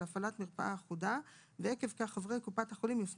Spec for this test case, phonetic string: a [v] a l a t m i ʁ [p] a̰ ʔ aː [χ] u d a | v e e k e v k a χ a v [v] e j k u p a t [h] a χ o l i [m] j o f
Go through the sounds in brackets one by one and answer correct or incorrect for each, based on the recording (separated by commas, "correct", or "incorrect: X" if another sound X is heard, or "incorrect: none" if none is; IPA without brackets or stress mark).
incorrect: f, correct, correct, incorrect: ʁ, correct, correct